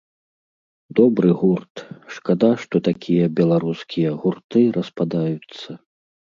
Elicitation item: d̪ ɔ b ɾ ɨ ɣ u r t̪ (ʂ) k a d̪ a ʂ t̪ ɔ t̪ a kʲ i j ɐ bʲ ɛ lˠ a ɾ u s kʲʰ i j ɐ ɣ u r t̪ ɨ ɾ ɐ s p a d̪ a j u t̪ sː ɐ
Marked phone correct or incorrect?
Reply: correct